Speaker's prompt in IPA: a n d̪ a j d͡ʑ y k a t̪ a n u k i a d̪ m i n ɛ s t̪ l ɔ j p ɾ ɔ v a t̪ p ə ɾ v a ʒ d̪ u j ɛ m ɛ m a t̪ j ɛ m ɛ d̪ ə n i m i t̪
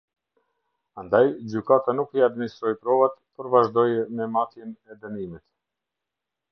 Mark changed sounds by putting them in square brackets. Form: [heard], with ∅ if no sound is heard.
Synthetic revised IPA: a n d̪ a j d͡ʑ y k a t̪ a n u k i a d̪ m i n [i] s t̪ [ɾ] ɔ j p ɾ ɔ v a t̪ p ə ɾ v a ʒ d̪ [ɔ] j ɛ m ɛ m a t̪ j ɛ [n] ɛ d̪ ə n i m i t̪